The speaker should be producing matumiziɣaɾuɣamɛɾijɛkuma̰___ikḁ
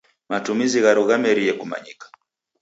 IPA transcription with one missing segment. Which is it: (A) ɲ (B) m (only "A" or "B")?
A